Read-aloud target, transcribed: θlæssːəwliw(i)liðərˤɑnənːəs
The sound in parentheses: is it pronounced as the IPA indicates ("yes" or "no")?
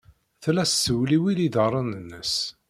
yes